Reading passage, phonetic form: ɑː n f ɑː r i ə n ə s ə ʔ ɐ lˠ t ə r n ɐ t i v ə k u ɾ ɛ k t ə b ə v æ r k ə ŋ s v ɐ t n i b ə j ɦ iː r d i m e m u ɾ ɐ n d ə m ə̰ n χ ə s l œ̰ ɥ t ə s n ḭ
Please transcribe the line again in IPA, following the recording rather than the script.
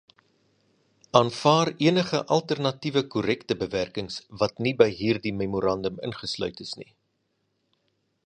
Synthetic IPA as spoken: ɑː n f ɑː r i ə n ə χ ə ʔ ɐ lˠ t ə r n ɐ t i v ə k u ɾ ɛ k t ə b ə v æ r k ə ŋ s v ɐ t n i b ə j ɦ iː r d i m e m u ɾ ɐ n d ə m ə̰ n χ ə s l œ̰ ɥ t ə s n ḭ

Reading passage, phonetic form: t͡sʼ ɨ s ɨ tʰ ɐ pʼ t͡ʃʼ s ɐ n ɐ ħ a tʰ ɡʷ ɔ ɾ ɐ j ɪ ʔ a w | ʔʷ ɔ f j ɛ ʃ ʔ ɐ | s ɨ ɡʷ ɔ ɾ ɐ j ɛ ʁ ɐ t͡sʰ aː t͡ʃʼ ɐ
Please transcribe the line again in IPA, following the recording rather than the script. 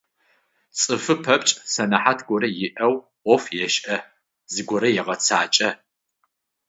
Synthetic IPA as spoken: t͡sʼ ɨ f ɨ pʰ ɐ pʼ t͡ʃʼ s ɐ n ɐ ħ a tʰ ɡʷ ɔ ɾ ɐ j ɪ ʔ ɐ w | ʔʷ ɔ f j ɛ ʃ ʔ ɐ | z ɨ ɡʷ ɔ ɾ ɐ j ɛ ʁ ɐ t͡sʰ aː t͡ʃʼ ɐ

